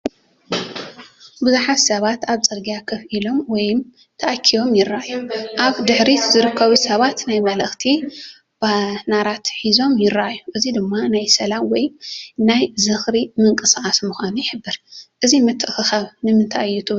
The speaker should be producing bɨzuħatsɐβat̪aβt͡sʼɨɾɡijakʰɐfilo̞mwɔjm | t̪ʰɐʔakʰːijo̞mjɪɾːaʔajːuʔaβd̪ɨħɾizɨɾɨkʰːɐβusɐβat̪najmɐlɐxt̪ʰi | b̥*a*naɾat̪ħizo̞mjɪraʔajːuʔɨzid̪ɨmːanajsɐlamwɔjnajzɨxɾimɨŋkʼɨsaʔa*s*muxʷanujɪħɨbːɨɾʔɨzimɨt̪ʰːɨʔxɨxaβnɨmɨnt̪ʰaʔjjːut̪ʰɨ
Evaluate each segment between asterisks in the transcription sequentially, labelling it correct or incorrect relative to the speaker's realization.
correct, correct

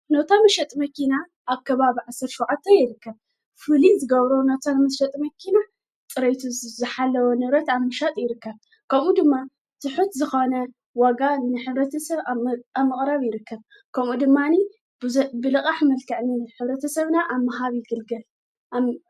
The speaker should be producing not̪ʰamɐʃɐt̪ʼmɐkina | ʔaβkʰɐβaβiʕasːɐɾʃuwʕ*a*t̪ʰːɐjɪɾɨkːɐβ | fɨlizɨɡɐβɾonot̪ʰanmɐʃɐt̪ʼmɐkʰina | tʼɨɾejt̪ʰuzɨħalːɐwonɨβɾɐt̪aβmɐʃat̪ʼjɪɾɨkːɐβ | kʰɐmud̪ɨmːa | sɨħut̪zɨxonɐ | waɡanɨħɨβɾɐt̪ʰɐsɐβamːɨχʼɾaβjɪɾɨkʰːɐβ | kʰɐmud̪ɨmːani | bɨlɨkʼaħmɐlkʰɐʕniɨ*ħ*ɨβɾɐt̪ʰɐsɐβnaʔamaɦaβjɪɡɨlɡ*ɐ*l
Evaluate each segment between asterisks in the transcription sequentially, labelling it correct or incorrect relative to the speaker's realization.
correct, correct, correct

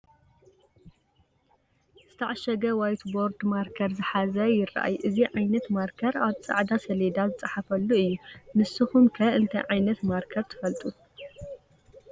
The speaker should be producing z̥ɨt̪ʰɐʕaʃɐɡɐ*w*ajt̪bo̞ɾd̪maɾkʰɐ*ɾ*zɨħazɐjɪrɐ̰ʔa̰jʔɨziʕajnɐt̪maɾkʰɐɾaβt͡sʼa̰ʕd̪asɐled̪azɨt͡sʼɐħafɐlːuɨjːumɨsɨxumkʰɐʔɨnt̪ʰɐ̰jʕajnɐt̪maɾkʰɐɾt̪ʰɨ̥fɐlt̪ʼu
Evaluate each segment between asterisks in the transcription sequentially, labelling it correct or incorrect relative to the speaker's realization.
correct, correct

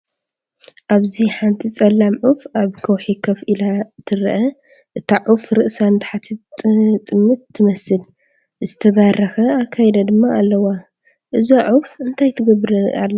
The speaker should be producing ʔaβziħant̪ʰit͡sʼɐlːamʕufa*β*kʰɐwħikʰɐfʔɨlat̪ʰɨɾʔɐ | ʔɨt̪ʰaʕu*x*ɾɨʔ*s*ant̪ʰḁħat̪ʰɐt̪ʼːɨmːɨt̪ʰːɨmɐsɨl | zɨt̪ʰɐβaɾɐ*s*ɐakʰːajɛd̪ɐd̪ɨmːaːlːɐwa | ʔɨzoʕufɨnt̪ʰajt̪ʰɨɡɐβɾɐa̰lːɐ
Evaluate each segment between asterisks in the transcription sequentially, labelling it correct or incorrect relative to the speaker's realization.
correct, incorrect: f, correct, incorrect: x

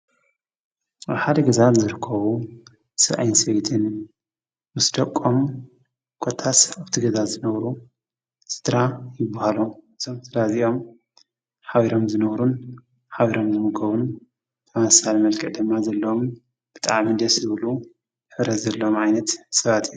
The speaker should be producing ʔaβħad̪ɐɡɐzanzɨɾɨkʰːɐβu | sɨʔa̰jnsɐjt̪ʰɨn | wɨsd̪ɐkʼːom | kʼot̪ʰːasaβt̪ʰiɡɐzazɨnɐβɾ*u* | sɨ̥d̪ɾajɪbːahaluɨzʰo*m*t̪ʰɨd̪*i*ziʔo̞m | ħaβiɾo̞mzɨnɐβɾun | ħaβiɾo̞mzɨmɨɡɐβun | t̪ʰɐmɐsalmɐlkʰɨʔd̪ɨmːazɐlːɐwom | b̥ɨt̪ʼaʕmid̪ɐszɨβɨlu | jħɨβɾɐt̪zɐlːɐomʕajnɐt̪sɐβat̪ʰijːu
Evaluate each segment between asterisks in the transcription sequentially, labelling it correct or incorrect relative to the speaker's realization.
correct, correct, incorrect: a

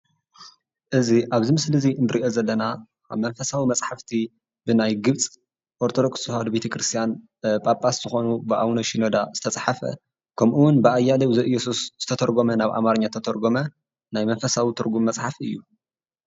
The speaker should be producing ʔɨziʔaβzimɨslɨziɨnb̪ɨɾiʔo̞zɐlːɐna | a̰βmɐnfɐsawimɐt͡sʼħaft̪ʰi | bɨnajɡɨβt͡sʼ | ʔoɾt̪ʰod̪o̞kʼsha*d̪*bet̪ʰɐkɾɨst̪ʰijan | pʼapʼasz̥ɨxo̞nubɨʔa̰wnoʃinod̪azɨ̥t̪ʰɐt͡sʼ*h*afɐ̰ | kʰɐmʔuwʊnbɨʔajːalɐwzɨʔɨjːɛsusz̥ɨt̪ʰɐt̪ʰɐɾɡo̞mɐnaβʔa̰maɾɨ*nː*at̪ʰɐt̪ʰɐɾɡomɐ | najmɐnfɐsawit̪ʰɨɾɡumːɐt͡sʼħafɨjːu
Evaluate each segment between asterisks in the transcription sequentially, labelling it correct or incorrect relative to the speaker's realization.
correct, incorrect: ħ, incorrect: ɲː

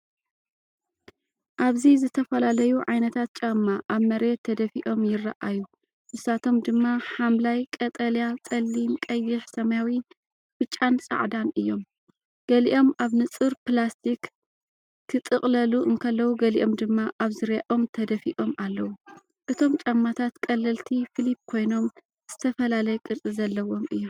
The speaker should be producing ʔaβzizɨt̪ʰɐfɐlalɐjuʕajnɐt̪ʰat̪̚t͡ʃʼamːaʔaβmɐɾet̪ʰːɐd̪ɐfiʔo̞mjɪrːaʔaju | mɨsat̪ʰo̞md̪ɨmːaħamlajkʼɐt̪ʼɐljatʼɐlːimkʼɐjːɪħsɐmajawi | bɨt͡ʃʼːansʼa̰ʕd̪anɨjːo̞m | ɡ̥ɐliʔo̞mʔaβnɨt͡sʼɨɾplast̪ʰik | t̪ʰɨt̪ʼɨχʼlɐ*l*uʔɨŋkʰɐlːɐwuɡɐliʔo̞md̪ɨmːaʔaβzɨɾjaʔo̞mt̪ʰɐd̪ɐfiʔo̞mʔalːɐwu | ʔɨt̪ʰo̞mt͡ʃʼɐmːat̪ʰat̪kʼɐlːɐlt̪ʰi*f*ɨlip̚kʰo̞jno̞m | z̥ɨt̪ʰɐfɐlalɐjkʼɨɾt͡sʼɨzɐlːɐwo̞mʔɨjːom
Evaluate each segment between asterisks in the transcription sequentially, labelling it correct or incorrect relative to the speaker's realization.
correct, correct

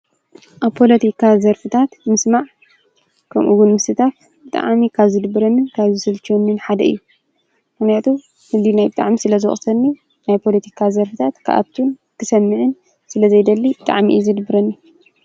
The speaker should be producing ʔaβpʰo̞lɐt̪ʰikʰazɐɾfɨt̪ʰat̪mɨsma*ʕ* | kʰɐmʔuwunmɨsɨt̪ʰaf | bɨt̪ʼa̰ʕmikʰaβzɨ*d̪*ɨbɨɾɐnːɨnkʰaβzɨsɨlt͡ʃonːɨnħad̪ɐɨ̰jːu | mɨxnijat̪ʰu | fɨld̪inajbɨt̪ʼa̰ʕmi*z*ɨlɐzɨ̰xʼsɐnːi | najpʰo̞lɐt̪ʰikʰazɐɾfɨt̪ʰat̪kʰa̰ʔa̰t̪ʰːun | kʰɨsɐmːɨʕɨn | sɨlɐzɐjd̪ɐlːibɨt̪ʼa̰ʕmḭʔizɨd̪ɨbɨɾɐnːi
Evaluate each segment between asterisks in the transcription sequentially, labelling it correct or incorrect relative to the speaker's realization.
correct, correct, incorrect: s

